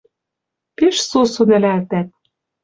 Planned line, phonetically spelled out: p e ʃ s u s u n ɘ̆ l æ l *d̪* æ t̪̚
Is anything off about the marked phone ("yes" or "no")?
yes